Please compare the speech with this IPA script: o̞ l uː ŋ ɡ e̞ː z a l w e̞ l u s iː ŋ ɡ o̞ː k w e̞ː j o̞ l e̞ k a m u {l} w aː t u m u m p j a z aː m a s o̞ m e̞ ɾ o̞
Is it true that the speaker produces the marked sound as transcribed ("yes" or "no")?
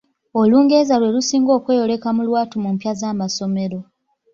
yes